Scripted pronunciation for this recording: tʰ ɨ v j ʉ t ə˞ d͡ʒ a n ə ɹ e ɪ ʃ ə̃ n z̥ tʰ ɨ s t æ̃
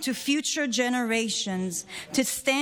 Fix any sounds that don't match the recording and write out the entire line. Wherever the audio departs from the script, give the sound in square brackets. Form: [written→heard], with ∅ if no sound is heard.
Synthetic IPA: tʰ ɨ [v→f] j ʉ [t→t͡ʃ] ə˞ d͡ʒ [a→ɛ] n ə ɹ e ɪ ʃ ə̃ n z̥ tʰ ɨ s t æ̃